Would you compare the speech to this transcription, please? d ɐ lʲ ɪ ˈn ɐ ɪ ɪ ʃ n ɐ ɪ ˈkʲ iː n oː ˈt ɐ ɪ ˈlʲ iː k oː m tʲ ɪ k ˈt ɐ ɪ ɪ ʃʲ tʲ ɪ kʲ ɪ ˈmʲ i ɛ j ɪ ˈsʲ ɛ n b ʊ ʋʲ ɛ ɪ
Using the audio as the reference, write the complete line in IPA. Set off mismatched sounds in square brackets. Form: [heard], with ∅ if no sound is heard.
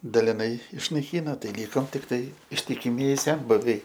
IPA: d ɐ lʲ ɪ ˈn ɐ ɪ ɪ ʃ n ɐ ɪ ˈkʲ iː n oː ˈt ɐ ɪ ˈlʲ iː k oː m tʲ ɪ k ˈt ɐ ɪ ɪ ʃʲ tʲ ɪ kʲ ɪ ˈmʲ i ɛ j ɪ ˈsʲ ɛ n b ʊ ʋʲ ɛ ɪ